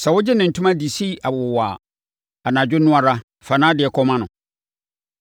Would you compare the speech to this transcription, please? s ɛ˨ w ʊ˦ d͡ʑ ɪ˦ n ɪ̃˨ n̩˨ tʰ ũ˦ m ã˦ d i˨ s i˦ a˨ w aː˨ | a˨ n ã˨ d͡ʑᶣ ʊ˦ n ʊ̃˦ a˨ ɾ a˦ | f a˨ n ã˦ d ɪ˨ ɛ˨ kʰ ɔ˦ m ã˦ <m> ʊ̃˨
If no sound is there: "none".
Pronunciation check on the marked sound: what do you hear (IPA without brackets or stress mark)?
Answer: n